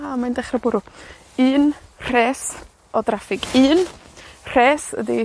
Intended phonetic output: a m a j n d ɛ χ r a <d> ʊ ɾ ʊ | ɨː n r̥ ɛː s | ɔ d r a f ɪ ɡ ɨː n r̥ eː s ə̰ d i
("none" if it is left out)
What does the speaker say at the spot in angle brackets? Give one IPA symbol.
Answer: b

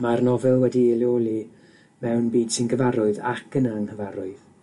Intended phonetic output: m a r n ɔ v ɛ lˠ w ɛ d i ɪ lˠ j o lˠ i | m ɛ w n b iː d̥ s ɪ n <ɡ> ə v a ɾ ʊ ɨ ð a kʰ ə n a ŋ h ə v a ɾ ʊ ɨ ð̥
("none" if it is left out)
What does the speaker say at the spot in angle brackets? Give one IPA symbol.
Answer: ɡ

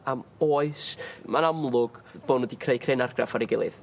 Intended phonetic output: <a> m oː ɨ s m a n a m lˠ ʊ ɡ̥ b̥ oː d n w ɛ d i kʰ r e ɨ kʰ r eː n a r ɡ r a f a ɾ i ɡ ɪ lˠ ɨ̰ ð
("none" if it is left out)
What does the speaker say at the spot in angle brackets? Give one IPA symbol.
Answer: a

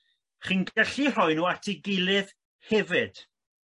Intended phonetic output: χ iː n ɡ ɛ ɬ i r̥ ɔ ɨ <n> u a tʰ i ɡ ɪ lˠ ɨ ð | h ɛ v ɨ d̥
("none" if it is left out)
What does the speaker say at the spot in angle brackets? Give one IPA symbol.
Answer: n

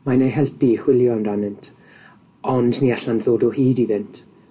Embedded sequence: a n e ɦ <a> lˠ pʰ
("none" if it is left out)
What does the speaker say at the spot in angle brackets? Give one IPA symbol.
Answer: ɛ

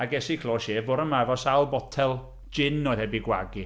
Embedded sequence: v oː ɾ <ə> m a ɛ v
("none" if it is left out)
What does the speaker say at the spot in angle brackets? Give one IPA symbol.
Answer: ə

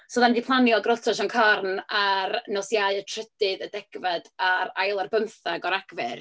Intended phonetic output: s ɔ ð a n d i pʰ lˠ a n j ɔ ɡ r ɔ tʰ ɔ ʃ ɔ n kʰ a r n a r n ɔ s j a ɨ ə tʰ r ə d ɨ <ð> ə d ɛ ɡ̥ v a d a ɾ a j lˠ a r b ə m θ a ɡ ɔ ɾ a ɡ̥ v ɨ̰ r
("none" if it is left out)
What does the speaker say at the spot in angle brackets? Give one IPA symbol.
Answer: ð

